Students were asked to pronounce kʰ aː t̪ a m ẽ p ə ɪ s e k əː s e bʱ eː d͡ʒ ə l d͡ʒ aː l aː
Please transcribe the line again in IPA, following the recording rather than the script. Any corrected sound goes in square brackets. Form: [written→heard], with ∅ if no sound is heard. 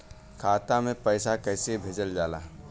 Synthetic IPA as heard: kʰ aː t̪ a m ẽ p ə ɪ s [e→a] k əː s e bʱ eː d͡ʒ ə l d͡ʒ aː l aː